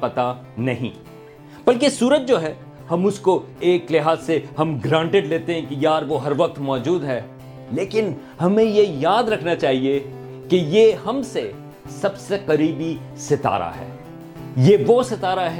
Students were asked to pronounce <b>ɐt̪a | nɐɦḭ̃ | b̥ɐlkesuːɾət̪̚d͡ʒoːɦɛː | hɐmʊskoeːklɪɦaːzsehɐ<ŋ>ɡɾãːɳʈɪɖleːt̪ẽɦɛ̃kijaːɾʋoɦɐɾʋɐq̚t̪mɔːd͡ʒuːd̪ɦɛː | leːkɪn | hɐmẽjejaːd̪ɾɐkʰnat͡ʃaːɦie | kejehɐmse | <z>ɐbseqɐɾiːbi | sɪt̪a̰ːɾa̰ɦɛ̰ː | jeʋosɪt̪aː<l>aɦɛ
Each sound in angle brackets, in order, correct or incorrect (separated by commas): incorrect, incorrect, incorrect, incorrect